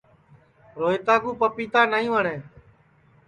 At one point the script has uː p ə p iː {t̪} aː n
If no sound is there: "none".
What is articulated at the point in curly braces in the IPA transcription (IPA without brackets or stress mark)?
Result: t̪